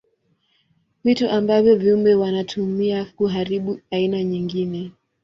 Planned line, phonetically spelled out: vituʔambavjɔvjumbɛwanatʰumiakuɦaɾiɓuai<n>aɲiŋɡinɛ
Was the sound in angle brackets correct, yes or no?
yes